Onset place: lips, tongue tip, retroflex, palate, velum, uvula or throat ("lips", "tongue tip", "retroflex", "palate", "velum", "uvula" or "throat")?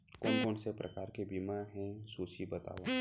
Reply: velum